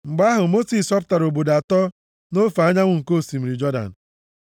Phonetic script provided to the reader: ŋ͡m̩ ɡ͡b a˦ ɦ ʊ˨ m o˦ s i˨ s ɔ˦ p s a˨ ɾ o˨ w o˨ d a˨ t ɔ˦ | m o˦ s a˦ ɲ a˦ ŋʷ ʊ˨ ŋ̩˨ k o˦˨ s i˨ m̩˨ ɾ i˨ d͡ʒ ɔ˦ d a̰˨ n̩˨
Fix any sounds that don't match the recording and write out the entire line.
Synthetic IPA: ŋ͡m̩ ɡ͡b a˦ ɦ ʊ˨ m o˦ s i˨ s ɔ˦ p t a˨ ɾ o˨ b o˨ d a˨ t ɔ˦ | n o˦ f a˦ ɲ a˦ ŋʷ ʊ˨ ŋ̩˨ k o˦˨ s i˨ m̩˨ ɾ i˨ d͡ʒ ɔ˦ d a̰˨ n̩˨

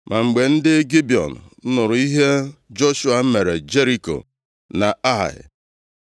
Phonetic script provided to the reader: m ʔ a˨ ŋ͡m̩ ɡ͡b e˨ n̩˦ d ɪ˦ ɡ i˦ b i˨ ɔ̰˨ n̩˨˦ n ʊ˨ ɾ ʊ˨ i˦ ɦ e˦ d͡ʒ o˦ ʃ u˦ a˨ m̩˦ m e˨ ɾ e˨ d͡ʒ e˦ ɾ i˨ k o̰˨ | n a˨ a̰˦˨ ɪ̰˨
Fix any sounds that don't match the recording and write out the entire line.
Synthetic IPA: m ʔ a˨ ŋ͡m̩ ɡ͡b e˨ n̩˦ d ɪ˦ ɡ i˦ b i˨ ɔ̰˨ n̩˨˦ n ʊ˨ ɾ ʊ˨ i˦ ɦ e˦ d͡ʒ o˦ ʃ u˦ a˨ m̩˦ m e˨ ɾ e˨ d͡ʒ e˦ ɾ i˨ k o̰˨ | n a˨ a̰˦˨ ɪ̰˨

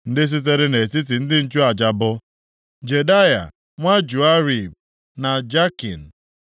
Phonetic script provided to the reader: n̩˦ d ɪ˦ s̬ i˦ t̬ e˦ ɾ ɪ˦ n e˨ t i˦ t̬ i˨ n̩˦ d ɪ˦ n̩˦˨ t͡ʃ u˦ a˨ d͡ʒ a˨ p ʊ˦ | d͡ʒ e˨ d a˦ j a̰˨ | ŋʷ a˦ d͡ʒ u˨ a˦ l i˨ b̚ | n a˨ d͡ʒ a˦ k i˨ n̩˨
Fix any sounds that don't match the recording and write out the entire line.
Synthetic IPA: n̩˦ d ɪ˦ s̬ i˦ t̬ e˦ ɾ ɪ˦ n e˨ t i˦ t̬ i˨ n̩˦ d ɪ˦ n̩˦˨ t͡ʃ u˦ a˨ d͡ʒ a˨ b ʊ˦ | d͡ʒ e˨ d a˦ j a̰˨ | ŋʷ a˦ d͡ʒ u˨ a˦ ɾ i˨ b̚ | n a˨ d͡ʒ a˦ k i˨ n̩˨

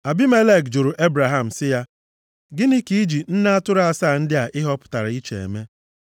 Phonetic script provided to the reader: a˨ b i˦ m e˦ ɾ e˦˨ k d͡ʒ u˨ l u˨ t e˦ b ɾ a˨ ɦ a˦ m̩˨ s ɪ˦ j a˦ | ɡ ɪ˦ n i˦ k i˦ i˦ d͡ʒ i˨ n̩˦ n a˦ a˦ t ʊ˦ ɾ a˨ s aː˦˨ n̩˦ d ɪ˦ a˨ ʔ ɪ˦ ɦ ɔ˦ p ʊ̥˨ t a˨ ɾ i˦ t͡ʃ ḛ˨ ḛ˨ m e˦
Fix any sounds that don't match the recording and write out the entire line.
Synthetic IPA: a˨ b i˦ m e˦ l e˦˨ k d͡ʒ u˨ ɾ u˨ ʔ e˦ b ɾ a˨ ɦ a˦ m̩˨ s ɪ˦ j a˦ | ɡ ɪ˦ n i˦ k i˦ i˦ d͡ʒ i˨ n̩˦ n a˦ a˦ t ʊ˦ ɾ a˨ s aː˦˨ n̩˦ d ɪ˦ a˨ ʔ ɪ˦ ɦ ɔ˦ p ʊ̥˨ t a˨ ɾ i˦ t͡ʃ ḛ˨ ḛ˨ m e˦

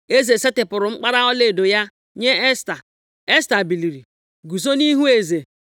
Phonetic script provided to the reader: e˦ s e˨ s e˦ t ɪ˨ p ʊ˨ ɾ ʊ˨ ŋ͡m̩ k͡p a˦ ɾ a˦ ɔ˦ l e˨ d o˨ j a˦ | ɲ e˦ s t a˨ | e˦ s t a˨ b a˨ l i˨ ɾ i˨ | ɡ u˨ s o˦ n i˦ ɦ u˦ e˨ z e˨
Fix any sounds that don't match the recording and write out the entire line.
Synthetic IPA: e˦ z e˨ s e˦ t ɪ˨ p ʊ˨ ɾ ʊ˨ ŋ͡m̩ k͡p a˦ ɾ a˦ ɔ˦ l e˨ d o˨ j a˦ | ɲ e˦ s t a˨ | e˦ s t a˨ b i˨ l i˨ ɾ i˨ | ɡ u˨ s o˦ n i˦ ɦ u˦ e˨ z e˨

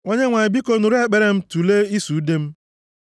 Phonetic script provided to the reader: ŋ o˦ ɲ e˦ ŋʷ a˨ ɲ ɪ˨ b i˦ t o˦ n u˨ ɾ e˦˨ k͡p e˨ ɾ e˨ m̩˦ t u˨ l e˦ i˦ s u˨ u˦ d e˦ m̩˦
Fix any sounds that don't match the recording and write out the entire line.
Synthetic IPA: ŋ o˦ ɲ e˦ ŋʷ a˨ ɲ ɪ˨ b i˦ k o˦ n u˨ ɾ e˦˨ k͡p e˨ ɾ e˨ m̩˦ t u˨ l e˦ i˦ s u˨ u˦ d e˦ m̩˦

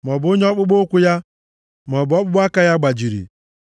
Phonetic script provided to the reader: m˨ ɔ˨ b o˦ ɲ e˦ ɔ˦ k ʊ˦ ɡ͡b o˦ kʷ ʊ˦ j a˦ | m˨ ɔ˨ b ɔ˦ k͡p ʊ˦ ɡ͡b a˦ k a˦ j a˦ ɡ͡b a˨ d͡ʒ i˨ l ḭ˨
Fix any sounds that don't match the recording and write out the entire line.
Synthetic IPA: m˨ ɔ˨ b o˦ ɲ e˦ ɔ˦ k͡p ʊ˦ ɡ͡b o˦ kʷ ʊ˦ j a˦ | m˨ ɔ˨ b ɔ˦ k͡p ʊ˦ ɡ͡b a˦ k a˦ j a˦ ɡ͡b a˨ d͡ʒ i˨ ɾ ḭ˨

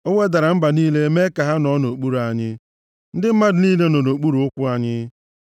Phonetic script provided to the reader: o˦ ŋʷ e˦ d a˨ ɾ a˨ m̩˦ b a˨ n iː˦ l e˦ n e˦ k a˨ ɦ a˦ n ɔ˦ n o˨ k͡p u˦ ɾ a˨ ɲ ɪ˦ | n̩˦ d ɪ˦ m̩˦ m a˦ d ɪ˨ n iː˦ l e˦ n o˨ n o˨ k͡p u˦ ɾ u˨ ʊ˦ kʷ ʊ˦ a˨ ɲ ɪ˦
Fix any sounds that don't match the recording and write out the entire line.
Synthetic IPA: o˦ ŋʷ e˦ d a˨ ɾ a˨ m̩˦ b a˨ n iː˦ l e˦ m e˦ k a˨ ɦ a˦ n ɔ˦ n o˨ k͡p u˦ ɾ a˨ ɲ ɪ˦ | n̩˦ d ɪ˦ m̩˦ m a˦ d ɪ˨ n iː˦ l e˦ n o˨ n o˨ k͡p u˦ ɾ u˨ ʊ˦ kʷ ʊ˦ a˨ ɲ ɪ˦

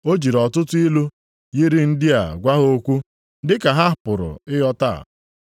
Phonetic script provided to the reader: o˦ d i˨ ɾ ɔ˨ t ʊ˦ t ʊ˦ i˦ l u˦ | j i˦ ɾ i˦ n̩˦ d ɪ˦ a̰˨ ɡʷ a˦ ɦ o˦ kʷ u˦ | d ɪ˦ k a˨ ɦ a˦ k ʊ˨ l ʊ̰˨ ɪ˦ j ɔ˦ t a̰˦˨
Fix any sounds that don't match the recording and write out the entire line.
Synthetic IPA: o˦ d͡ʒ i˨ ɾ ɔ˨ t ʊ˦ t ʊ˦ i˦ l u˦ | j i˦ ɾ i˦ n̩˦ d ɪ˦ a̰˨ ɡʷ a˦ ɦ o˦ kʷ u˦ | d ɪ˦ k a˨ ɦ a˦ p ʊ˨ ɾ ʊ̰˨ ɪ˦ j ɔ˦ t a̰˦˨

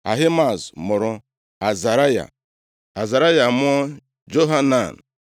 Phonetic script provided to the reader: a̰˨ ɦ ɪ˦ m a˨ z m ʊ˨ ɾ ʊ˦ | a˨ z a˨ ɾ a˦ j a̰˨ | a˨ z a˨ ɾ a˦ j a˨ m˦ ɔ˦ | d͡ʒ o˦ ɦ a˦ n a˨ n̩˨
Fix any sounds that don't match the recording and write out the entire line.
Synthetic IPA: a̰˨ ɦ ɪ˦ m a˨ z m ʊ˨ ɾ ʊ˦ | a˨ z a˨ ɾ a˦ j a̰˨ | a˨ z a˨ ɾ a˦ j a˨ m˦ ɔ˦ | d͡ʒ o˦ ɦ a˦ n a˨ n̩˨

